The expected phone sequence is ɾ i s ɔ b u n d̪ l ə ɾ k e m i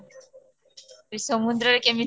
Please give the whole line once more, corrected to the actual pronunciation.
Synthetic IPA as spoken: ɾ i s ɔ m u n d̪ ɾ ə ɾ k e m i